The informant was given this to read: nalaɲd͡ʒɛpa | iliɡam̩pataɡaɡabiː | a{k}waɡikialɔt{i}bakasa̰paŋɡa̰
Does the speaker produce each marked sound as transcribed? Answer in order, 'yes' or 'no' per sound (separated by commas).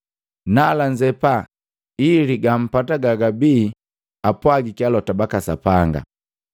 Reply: no, no